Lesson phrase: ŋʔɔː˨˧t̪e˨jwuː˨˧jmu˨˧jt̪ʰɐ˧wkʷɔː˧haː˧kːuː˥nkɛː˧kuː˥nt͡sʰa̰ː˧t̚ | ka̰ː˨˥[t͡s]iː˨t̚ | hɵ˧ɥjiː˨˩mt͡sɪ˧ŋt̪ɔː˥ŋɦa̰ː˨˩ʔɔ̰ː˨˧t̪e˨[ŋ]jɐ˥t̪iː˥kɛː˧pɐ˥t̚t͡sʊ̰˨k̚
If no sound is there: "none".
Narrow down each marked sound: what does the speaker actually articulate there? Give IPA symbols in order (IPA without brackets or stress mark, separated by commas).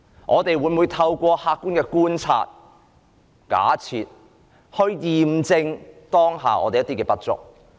t͡sʰ, none